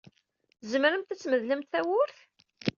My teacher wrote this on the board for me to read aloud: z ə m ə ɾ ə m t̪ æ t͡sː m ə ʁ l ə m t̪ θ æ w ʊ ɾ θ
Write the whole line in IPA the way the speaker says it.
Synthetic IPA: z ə m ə ɾ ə m t̪ æ t͡sː m ə ð l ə m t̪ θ æ w ʊ ɾ θ